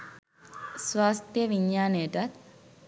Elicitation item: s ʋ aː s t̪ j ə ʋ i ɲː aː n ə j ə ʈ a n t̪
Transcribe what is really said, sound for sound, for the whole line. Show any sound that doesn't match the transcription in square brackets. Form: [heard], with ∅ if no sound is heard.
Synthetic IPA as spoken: s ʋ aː s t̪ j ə ʋ i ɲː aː n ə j ə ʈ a [∅] t̪